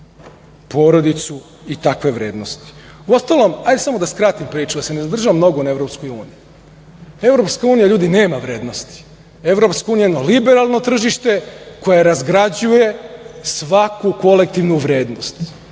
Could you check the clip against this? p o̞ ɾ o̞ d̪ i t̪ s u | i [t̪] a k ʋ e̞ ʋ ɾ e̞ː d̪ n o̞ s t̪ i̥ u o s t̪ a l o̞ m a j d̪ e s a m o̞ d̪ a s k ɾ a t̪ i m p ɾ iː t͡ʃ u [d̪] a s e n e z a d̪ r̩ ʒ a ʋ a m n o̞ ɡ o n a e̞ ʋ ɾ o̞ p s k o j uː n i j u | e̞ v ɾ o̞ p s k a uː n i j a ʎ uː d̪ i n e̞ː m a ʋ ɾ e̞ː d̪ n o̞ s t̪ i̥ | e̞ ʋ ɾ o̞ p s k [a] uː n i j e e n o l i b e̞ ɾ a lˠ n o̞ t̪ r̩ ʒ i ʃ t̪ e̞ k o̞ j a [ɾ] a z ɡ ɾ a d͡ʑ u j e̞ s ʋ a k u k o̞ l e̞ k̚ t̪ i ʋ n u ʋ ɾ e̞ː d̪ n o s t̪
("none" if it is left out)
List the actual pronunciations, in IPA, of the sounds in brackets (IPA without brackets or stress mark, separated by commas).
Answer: t̪, d̪, a, ɾ